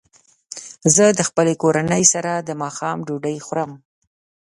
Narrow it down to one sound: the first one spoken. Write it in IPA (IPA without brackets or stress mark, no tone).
z